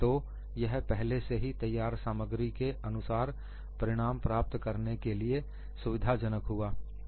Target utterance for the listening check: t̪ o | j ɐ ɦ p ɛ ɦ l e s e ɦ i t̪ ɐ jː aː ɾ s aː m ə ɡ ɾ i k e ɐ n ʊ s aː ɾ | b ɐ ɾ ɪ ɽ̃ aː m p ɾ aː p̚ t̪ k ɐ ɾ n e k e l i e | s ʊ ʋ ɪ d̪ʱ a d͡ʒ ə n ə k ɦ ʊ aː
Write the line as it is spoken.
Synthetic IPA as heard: t̪ o | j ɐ ɦ p ɛ ɦ l e s e ɦ i t̪ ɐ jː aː ɾ s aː m ə ɡ ɾ i k e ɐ n ʊ s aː ɾ | p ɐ ɾ ɪ ɽ̃ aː m p ɾ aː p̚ t̪ k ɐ ɾ n e k e l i e | s ʊ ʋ ɪ d̪ʱ a d͡ʒ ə n ə k ɦ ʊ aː

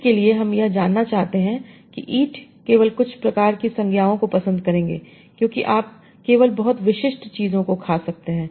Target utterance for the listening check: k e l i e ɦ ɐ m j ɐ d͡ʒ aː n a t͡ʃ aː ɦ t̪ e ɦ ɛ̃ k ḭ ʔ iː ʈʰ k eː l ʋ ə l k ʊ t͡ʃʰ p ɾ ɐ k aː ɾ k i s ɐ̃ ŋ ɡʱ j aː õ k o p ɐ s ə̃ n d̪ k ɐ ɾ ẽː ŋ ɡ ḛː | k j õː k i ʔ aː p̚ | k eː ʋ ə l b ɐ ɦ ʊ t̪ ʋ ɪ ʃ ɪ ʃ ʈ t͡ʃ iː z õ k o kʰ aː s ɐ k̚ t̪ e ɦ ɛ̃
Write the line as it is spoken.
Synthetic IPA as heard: k e l i e ɦ ɐ m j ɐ d͡ʒ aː nː a t͡ʃ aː ɦ t̪ e ɦ ɛ̃ k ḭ ʔ iː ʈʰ k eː ʋ ə l k ʊ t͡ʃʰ p ɾ ɐ k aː ɾ k i s ɐ̃ ŋ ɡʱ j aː õ k o p ɐ s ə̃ n d̪ k ɐ ɾ ẽː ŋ ɡ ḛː | k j õː k i ʔ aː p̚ | k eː ʋ ə l b ɐ ɦ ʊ t̪ ʋ ɪ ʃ ɪ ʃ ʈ t͡ʃ iː z õ k o kʰ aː s ɐ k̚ t̪ e ɦ ɛ̃ː

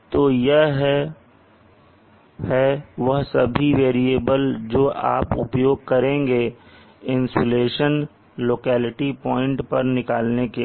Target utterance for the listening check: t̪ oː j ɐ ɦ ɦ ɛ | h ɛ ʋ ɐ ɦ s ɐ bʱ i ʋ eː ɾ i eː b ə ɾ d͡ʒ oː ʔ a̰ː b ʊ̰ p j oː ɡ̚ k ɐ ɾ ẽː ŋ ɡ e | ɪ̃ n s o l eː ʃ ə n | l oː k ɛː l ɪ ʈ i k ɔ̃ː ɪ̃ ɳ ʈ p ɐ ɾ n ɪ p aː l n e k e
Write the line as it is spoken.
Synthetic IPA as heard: t̪ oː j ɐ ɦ ɦ ɛ | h ɛ ʋ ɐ ɦ s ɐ bʱ i ʋ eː ɾ i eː b ə l d͡ʒ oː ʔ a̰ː p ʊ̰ p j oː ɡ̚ k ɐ ɾ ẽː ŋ ɡ e | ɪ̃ n s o l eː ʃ ə n | l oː k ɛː l ɪ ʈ i p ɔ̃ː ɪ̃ ɳ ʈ p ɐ ɾ n ɪ k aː l n e k e

